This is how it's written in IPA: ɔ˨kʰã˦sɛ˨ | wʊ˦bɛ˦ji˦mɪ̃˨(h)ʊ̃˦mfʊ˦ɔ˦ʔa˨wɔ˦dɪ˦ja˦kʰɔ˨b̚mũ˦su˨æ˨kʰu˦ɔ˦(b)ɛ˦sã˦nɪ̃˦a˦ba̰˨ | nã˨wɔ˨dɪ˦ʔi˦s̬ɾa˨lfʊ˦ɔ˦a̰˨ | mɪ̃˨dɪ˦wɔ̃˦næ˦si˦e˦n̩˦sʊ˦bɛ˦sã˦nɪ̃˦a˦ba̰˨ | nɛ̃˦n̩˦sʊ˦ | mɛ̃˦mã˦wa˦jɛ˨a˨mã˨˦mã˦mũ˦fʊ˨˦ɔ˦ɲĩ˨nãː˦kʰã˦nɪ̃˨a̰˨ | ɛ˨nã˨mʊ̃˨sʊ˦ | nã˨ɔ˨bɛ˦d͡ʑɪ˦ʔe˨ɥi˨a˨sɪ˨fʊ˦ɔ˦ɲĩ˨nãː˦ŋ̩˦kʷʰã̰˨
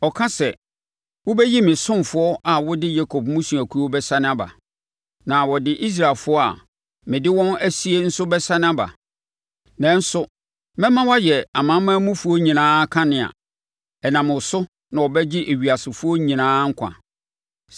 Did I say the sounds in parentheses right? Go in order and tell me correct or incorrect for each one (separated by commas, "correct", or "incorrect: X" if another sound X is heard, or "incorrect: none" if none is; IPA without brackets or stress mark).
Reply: incorrect: s, correct